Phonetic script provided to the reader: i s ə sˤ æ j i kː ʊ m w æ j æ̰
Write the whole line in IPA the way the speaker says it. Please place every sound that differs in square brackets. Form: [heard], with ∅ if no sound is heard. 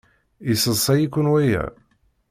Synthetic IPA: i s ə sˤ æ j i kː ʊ [n] w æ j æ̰